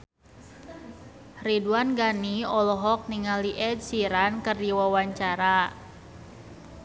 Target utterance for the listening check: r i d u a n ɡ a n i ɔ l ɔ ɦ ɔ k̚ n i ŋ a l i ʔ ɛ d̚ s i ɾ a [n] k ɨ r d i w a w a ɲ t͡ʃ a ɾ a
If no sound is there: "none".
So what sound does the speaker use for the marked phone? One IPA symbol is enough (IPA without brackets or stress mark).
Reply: n